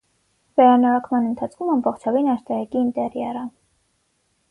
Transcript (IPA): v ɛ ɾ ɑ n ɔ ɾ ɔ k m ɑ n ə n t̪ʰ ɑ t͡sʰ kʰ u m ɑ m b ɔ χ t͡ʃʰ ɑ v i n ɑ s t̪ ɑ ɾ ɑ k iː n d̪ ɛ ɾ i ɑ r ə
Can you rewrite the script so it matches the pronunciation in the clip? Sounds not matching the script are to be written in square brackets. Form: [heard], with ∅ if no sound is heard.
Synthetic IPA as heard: v ɛ ɾ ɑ n ɔ ɾ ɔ k m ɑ n ə n t̪ʰ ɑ t͡sʰ kʰ u m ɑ m b ɔ χ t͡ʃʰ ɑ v i n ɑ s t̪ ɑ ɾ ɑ k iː n [t̪] ɛ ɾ [j] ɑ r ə